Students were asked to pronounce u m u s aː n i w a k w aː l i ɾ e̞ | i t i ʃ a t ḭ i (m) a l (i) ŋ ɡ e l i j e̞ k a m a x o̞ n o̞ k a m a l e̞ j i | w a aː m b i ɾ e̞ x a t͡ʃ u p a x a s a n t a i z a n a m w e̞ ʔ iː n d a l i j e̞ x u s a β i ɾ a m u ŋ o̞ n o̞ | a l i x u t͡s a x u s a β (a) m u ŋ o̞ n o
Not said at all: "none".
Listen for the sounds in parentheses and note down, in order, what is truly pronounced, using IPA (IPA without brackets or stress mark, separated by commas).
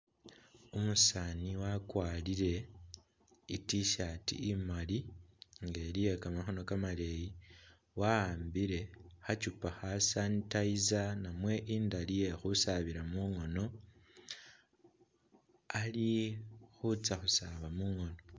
m, i, a